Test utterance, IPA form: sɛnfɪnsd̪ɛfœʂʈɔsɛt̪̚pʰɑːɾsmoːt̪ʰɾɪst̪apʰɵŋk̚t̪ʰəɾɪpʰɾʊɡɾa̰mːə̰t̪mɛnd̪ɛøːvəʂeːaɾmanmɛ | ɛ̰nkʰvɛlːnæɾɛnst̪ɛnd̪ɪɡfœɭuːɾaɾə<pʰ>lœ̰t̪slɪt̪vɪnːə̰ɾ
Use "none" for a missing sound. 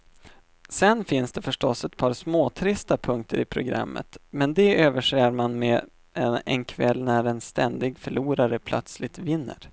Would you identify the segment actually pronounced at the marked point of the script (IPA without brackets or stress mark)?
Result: pʰ